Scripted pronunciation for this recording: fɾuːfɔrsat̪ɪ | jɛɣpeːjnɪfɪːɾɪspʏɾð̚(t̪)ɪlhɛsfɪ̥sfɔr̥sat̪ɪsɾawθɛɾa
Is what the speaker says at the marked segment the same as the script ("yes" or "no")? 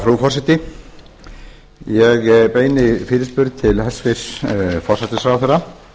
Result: no